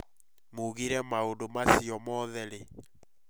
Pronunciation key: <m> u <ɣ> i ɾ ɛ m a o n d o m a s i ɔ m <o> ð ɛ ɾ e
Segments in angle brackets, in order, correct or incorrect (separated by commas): correct, correct, incorrect